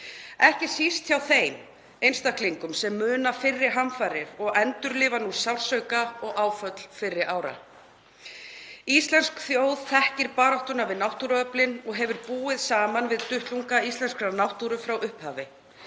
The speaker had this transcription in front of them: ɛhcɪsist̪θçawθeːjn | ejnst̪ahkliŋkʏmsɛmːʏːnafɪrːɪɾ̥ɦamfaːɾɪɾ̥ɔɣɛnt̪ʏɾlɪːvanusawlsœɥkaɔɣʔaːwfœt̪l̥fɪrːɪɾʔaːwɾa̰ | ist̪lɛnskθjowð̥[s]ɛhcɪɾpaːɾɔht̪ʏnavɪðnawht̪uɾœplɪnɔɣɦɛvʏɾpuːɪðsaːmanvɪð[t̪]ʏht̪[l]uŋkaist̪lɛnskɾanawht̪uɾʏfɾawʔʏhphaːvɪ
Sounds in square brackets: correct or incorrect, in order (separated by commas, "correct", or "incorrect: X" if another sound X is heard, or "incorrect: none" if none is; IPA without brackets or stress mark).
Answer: incorrect: θ, correct, correct